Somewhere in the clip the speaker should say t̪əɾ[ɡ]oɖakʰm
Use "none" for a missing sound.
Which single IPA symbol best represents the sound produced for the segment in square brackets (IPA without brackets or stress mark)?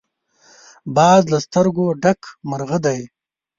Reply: ɡ